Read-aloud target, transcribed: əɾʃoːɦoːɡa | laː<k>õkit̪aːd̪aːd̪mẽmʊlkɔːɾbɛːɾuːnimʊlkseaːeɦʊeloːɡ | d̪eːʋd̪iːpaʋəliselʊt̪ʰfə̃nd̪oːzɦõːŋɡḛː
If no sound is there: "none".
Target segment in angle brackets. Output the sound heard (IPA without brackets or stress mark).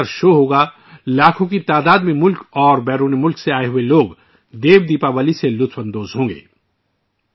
kʰ